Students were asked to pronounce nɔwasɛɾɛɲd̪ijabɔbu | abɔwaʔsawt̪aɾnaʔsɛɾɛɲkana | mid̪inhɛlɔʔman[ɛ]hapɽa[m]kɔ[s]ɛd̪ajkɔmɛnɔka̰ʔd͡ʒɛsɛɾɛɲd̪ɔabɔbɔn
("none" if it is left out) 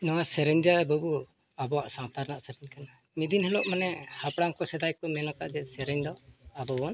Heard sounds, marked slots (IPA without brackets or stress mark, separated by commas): ɛ, ŋ, s